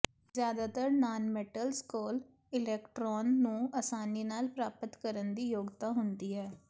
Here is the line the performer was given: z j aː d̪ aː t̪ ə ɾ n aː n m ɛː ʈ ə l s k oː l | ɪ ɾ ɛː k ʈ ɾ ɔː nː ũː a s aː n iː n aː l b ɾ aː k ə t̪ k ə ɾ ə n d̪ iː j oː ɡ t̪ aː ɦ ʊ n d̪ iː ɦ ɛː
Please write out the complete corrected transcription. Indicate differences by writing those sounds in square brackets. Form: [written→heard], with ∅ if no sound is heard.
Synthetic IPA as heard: z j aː d̪ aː t̪ ə ɾ n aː n m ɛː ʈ ə l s k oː l | ɪ [ɾ→l] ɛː k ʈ ɾ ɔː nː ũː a s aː n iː n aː l [b→p] ɾ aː [k→p] ə t̪ k ə ɾ ə n d̪ iː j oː ɡ t̪ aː ɦ ʊ n d̪ iː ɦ ɛː